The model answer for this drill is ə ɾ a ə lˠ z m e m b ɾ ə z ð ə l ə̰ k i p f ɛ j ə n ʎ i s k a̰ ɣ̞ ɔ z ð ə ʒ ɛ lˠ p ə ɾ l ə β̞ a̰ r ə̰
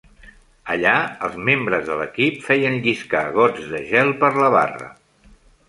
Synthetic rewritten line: ə ʎ a ə lˠ z m e m b ɾ ə z ð ə l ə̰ k i p f ɛ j ə n ʎ i s k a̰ ɣ̞ ɔ d͡z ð ə ʒ ɛ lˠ p ə ɾ l ə β̞ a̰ r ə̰